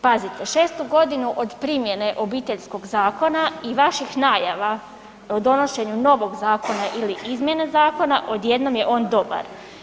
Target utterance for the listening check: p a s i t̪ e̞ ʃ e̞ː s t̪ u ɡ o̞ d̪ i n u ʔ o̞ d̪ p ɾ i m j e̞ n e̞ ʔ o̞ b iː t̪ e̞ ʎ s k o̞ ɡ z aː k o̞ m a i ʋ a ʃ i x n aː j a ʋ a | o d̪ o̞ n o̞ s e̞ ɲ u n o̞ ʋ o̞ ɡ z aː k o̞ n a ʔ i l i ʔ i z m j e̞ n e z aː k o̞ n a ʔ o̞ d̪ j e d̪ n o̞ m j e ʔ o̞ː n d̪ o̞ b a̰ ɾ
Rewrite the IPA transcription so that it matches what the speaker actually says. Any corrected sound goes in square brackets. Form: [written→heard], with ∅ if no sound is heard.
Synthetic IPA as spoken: p a [s→z] i t̪ e̞ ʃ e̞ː s t̪ u ɡ o̞ d̪ i n u ʔ o̞ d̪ p ɾ i m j e̞ n e̞ ʔ o̞ b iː t̪ e̞ ʎ s k o̞ ɡ z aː k o̞ [m→n] a i ʋ a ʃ i x n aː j a ʋ a | o d̪ o̞ n o̞ [s→ʃ] e̞ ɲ u n o̞ ʋ o̞ ɡ z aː k o̞ n a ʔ i l i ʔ i z m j e̞ n e z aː k o̞ n a ʔ o̞ d̪ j e d̪ n o̞ m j e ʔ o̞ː n d̪ o̞ b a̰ ɾ